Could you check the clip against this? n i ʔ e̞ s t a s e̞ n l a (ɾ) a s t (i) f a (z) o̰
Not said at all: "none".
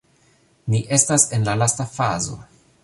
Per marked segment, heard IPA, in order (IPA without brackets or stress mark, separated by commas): l, a, z